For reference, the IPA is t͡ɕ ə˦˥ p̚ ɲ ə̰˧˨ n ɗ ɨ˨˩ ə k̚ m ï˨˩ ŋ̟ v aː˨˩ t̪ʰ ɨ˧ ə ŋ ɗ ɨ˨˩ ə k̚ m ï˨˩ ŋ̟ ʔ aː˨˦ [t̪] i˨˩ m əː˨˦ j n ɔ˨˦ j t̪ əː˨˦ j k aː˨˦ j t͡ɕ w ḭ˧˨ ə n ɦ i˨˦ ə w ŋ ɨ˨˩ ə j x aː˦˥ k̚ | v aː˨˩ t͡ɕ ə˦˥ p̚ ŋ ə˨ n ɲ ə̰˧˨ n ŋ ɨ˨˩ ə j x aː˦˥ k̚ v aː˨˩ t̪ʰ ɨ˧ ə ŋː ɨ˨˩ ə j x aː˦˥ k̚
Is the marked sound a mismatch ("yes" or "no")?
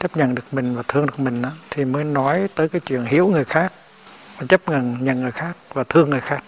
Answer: yes